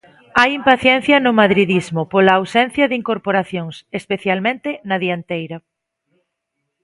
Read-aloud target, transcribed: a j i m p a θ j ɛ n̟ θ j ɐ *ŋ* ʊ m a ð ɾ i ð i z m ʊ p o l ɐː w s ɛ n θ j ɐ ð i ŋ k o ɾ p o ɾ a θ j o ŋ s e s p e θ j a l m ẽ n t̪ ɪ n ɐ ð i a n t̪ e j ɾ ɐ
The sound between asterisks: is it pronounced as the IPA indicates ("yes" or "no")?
no